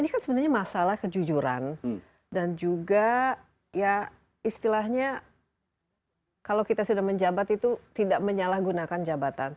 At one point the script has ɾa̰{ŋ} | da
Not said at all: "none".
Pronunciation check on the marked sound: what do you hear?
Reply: n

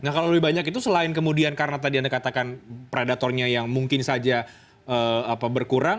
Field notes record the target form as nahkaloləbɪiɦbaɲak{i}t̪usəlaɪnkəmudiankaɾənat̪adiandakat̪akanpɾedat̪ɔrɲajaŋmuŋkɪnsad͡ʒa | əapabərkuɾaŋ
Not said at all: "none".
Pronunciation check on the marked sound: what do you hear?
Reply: i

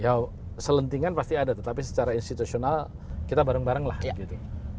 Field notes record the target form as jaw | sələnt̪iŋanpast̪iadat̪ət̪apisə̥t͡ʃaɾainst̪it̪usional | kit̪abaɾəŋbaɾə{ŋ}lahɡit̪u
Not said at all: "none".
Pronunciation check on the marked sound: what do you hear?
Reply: ŋ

